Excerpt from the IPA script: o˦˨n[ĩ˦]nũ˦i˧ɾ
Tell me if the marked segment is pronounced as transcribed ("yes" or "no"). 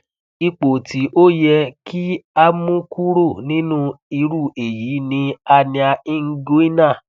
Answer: yes